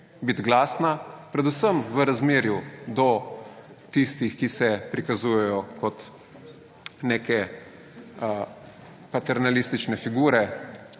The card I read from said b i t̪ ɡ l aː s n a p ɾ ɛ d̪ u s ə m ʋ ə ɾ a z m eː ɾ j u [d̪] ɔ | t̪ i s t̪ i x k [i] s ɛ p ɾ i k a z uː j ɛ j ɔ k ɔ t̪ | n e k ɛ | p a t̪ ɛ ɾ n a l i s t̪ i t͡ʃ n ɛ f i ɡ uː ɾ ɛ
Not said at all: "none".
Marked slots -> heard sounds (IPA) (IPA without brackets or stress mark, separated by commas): d̪, i